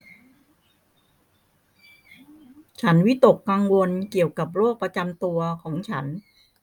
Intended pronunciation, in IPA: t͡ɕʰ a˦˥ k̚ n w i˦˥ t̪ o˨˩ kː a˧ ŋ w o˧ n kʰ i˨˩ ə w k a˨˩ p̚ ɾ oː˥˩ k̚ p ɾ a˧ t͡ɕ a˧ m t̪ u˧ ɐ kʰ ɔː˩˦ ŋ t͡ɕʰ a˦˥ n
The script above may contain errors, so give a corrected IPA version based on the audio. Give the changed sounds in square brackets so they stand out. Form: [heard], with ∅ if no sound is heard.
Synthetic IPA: t͡ɕʰ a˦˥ [∅] n w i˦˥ t̪ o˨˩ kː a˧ ŋ w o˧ n [k] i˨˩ ə w k a˨˩ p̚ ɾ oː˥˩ k̚ p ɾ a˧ t͡ɕ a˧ m t̪ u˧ ɐ kʰ ɔː˩˦ ŋ t͡ɕʰ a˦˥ n